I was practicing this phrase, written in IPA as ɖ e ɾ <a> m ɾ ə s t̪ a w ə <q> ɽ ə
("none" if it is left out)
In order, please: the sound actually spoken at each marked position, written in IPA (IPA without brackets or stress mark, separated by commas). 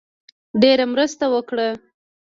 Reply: a, k